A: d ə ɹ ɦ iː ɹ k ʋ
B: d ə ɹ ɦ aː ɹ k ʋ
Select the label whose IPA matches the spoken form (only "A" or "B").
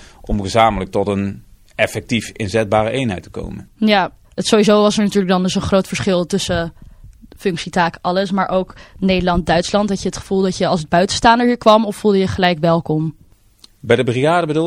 A